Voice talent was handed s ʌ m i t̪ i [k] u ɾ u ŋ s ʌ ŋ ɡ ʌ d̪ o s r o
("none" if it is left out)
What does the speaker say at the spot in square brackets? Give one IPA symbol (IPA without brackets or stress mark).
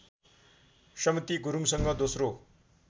ɡ